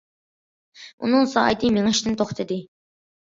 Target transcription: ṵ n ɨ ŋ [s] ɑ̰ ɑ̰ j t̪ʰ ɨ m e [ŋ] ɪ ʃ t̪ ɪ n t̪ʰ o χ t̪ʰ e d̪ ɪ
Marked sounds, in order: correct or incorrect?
correct, correct

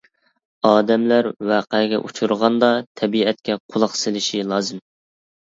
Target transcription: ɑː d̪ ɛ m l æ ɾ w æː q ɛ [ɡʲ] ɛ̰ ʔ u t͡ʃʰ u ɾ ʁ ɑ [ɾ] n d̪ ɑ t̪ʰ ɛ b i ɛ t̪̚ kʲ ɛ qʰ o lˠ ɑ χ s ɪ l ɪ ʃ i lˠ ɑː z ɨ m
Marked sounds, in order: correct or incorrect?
correct, incorrect

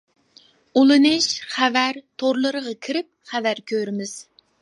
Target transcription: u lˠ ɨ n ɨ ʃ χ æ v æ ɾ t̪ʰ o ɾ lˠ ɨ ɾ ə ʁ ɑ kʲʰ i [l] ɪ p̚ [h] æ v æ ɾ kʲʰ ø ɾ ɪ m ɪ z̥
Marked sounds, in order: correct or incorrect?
incorrect, incorrect

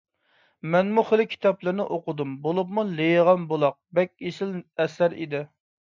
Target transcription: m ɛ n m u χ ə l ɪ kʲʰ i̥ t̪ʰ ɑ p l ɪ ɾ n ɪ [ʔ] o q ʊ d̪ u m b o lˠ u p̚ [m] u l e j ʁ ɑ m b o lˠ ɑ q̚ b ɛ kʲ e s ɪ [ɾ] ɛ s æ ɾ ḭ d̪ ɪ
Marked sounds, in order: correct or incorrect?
correct, correct, incorrect

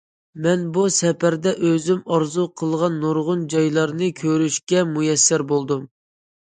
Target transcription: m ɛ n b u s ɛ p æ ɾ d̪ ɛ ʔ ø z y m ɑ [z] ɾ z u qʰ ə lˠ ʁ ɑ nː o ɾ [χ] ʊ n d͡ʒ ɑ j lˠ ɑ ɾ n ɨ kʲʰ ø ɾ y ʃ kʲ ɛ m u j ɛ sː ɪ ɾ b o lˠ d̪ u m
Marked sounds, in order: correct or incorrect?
incorrect, incorrect

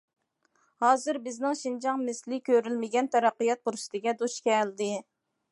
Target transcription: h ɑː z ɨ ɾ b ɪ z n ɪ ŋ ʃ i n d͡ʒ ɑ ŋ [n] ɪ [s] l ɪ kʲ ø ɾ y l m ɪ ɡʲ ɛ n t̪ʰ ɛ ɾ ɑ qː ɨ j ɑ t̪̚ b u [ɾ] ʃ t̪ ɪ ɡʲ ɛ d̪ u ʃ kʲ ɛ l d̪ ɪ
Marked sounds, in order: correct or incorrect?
incorrect, correct, correct

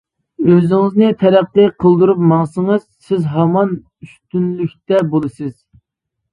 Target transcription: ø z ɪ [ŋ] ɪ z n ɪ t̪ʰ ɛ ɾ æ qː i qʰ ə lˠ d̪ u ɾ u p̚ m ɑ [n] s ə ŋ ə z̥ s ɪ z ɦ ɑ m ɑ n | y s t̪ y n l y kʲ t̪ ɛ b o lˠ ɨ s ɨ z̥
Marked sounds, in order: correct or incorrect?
correct, incorrect

